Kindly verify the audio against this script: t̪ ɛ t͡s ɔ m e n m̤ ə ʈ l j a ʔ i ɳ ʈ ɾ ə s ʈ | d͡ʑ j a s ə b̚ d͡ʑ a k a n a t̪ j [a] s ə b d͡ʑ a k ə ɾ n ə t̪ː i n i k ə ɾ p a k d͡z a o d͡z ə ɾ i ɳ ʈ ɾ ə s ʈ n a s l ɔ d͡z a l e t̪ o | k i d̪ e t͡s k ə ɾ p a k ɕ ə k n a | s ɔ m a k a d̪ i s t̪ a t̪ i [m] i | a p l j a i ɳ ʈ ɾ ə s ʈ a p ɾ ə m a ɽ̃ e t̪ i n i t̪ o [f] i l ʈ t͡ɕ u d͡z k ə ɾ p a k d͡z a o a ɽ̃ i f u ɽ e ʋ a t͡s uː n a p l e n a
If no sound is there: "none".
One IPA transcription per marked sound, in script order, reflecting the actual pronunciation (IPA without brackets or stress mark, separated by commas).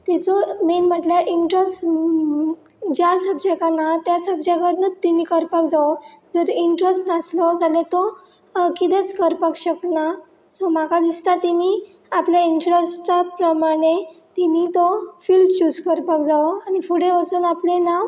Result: a, n, f